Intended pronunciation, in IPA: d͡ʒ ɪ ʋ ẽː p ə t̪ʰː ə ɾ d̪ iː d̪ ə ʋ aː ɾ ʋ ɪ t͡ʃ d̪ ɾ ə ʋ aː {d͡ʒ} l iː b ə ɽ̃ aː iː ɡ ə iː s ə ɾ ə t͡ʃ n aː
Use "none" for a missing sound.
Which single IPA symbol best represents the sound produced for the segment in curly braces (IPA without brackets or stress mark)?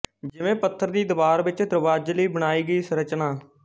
d͡ʒ